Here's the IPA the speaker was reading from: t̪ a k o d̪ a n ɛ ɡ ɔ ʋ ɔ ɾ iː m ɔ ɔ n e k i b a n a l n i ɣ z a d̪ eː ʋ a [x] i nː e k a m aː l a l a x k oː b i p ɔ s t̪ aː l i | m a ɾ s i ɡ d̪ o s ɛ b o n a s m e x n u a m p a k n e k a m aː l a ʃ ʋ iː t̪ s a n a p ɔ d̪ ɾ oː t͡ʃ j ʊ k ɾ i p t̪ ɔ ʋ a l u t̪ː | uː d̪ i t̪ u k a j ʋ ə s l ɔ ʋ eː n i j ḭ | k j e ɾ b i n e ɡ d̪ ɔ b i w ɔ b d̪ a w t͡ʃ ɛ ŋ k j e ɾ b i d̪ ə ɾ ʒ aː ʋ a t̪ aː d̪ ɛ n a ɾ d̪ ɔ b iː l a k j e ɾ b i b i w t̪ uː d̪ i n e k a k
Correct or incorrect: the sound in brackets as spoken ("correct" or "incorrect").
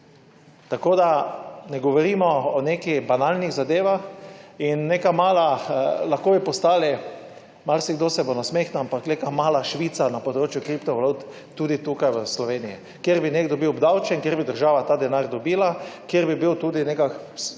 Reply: correct